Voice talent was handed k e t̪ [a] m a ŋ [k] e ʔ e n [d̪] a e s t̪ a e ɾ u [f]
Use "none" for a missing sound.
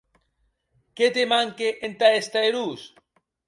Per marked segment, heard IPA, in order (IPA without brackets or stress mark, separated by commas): e, k, t̪, s